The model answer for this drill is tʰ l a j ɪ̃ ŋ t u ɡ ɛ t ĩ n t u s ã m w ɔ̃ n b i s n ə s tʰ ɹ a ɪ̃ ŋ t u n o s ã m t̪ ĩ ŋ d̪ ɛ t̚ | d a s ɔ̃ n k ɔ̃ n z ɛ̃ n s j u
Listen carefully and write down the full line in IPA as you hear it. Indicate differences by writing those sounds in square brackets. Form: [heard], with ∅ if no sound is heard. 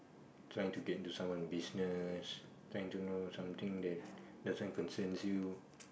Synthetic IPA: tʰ [ɹ] a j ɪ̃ ŋ t u ɡ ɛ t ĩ n t u s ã m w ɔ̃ n b i s n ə s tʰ ɹ a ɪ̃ ŋ t u n o s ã m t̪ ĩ ŋ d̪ ɛ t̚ | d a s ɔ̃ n k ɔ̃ n [s] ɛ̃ n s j u